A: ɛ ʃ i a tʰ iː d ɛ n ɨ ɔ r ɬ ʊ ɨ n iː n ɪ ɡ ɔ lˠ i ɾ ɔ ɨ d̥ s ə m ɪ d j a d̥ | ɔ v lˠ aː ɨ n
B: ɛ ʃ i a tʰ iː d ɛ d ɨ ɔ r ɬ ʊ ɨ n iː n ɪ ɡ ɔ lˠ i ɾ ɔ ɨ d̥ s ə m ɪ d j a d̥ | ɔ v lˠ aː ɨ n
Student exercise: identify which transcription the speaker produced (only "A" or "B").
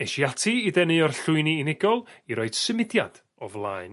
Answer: A